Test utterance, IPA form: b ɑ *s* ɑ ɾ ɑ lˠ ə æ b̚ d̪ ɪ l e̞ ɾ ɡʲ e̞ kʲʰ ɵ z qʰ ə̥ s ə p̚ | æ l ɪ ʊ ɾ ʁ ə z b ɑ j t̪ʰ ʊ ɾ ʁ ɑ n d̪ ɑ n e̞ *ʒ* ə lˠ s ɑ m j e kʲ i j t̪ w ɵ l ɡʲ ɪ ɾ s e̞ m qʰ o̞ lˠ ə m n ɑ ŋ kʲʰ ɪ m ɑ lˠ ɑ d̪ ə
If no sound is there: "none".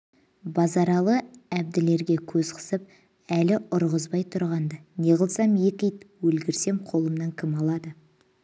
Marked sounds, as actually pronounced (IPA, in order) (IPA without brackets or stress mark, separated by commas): z, ʁ